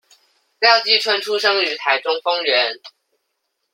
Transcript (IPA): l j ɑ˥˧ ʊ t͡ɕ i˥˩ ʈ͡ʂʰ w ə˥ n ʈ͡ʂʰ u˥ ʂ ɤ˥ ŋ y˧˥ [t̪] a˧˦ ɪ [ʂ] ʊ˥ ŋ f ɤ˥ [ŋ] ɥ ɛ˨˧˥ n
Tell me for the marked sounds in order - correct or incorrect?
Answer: incorrect: t̪ʰ, incorrect: ʈ͡ʂ, correct

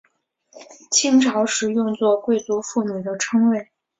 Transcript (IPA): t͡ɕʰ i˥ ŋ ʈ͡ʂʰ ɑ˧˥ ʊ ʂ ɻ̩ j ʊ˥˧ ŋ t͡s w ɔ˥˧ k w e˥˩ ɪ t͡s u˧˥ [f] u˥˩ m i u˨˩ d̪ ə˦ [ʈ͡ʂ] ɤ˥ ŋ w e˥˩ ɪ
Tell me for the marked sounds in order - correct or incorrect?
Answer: correct, incorrect: ʈ͡ʂʰ

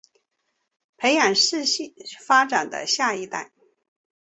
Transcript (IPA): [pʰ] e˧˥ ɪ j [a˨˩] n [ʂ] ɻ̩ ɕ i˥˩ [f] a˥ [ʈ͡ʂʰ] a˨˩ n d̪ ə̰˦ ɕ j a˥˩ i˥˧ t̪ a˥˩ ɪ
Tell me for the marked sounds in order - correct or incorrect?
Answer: correct, correct, correct, correct, incorrect: ʈ͡ʂ

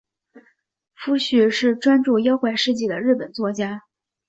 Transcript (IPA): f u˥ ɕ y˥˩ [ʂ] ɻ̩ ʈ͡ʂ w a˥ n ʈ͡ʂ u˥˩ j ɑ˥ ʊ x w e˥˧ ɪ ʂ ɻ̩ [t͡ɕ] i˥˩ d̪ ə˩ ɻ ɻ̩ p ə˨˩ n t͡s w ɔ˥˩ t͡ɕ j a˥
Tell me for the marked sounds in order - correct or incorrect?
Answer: correct, correct

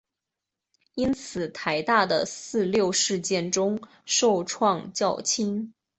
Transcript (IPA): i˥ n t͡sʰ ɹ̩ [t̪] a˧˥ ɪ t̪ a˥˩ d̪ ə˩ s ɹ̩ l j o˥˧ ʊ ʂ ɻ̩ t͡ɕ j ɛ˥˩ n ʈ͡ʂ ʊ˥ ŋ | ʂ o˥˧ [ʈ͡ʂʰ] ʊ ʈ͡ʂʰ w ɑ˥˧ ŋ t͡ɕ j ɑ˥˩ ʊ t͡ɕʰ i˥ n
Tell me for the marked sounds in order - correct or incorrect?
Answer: incorrect: t̪ʰ, incorrect: none

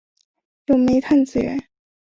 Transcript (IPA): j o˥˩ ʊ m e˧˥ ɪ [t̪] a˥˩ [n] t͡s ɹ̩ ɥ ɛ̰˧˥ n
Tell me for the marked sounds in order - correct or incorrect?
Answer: incorrect: t̪ʰ, correct

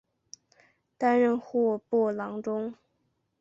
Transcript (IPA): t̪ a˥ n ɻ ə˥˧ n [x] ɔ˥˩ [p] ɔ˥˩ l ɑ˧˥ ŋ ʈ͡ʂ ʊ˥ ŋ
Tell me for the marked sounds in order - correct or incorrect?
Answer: correct, correct

